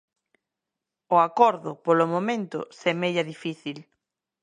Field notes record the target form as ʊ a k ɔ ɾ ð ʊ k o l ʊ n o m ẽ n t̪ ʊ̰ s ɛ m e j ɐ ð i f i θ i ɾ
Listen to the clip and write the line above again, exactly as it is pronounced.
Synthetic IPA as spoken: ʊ a k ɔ ɾ ð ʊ p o l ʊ m o m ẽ n t̪ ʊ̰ s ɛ m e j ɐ ð i f i θ i l